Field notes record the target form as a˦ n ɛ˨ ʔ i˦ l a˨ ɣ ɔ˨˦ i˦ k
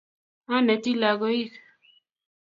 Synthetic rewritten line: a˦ n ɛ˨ t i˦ l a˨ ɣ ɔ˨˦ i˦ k